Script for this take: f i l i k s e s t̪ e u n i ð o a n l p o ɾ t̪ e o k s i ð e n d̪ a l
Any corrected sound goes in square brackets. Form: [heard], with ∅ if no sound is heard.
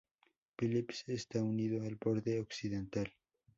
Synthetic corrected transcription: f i l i [p] s e s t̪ [a] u n i ð o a [∅] l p o ɾ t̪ e o k s i ð e n [t̪] a l